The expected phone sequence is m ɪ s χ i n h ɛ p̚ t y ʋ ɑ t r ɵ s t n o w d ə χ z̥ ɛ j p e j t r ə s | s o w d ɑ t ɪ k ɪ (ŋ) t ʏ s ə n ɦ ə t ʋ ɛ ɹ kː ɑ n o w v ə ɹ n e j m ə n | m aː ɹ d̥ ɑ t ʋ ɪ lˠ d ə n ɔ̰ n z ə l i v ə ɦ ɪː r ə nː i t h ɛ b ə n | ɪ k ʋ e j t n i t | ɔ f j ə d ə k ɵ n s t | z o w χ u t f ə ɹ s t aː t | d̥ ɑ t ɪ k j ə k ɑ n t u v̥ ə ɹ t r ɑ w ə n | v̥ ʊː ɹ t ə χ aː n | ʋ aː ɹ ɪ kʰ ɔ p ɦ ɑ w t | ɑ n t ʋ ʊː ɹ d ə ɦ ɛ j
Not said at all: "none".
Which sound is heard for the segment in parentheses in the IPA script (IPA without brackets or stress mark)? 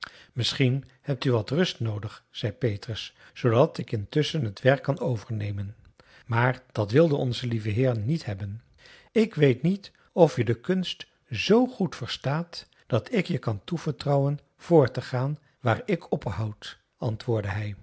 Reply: n